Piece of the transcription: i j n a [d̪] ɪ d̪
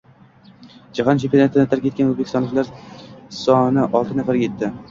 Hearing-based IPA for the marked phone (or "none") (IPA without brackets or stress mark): t̪